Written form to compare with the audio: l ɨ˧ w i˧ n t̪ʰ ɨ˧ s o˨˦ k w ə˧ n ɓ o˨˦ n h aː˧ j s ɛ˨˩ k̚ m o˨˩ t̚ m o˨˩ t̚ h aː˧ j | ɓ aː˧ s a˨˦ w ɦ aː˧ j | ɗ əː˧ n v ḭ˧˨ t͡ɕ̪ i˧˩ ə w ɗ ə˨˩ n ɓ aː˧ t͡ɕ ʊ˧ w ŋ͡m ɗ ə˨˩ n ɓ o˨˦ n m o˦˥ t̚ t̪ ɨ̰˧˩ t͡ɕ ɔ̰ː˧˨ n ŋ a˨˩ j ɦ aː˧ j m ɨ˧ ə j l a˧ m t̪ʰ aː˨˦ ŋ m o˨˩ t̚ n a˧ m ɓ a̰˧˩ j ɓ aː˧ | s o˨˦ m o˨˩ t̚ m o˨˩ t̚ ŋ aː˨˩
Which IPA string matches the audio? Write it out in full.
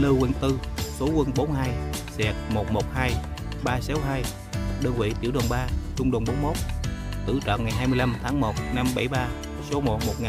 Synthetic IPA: l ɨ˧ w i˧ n t̪ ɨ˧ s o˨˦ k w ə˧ n ɓ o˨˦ n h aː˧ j s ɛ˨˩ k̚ m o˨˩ t̚ m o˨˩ t̚ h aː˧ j | ɓ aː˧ s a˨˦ w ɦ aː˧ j | ɗ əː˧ n v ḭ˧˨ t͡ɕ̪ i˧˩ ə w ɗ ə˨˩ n ɓ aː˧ t͡ɕ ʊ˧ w ŋ͡m ɗ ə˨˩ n ɓ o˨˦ n m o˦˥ t̚ t̪ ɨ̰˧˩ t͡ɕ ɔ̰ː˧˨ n ŋ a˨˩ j ɦ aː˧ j m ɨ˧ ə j l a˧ m t̪ʰ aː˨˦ ŋ m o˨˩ t̚ n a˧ m ɓ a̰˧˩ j ɓ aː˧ | s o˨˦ m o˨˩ t̚ m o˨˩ t̚ ŋ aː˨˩

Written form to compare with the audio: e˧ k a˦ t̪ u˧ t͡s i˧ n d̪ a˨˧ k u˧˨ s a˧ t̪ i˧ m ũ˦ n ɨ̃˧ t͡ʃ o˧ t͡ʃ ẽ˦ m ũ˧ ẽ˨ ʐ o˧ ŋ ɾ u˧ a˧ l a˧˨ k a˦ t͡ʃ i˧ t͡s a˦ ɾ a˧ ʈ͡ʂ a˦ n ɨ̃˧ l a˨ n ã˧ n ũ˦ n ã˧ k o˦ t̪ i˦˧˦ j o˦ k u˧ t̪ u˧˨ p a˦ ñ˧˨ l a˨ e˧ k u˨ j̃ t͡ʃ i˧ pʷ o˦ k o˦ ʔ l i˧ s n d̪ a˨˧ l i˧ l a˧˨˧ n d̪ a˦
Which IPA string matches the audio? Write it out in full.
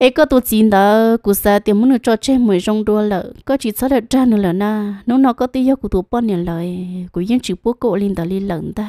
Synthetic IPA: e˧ k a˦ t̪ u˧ t͡s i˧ n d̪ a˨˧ k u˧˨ s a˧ t̪ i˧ m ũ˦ n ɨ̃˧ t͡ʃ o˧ t͡ʃ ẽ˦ m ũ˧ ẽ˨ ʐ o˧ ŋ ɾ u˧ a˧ l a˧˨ k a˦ t͡ʃ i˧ t͡s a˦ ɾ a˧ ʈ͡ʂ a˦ n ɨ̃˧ l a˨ n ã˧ n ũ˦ n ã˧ k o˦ t̪ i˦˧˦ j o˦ k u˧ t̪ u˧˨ p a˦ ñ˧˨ l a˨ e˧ k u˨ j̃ t͡ʃ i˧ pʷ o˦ k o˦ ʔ l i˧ n d̪ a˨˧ l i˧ l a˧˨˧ n d̪ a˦

